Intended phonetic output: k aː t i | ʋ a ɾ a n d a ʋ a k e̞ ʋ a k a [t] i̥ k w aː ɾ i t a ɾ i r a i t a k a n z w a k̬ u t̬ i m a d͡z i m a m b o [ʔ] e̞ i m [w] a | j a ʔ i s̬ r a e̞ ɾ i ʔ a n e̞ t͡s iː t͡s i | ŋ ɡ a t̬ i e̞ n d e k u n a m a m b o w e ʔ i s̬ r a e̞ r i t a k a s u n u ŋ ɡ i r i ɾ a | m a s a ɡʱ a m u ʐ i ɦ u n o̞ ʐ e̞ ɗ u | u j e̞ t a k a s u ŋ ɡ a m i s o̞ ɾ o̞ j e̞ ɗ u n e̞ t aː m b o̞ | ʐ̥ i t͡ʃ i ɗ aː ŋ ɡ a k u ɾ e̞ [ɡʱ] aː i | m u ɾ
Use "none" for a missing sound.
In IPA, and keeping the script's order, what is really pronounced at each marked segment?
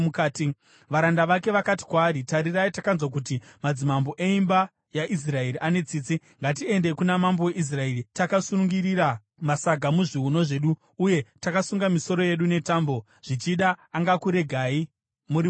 t, ʔ, b, ɡʱ

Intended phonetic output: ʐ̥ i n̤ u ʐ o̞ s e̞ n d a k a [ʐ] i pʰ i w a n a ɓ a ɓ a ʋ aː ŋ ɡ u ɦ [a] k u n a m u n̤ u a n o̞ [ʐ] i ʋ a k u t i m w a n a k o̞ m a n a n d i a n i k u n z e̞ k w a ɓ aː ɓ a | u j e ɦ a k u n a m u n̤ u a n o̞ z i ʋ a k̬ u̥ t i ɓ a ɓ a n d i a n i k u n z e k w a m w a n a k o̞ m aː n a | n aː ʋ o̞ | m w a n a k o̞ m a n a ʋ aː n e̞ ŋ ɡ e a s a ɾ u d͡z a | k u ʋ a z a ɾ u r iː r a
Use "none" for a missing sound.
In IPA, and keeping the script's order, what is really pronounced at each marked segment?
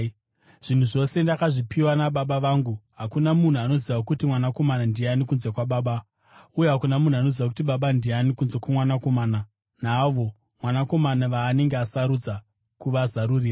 ʐ, a, z

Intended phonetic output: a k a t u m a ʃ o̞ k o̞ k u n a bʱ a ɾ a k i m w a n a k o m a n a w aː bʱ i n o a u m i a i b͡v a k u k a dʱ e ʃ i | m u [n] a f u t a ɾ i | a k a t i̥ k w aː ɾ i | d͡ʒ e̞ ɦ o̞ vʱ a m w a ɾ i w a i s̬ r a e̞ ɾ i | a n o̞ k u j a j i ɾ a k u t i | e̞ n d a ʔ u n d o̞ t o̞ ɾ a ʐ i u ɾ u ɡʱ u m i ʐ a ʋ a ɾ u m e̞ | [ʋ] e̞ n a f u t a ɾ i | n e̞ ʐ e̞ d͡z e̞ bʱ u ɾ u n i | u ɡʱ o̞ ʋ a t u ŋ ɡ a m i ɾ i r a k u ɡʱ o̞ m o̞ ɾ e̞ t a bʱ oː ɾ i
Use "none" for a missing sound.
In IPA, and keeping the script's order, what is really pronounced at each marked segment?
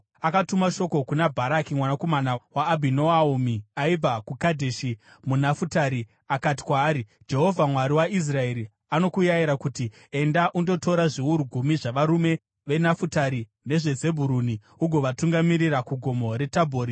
n, ʋ

